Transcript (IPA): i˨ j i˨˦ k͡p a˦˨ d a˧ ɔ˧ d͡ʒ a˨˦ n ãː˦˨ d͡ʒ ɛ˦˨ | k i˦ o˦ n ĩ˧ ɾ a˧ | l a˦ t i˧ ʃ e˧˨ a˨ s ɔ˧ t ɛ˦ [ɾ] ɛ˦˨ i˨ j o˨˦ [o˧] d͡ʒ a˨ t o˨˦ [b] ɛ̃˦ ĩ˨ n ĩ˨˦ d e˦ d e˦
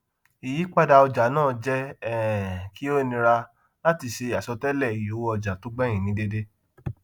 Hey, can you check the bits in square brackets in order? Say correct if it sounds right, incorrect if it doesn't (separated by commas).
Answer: incorrect, incorrect, incorrect